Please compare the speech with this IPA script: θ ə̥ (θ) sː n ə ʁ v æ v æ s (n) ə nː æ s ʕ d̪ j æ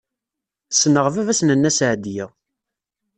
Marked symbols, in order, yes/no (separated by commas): no, yes